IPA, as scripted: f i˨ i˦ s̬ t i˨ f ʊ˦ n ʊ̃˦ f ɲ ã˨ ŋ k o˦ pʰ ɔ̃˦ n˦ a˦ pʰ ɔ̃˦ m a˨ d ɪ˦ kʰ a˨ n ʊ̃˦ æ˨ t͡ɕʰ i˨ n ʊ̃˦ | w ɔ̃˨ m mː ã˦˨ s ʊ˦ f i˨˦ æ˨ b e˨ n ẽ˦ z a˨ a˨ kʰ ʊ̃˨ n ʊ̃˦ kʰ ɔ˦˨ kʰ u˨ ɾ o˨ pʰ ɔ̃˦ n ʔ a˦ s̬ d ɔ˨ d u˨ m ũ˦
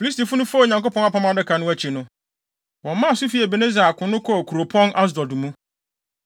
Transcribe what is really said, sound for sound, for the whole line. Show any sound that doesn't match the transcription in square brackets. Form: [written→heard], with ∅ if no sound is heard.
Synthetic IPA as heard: f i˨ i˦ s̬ t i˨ f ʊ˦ n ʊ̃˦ f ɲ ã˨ ŋ k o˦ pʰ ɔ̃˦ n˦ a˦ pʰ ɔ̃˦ m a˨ d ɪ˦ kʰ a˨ n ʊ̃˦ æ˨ t͡ɕʰ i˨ n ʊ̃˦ | w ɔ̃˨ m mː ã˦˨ s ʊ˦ f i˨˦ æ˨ b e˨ n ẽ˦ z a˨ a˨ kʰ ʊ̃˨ n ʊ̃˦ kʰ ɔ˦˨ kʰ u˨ ɾ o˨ pʰ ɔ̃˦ n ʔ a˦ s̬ d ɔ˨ d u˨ m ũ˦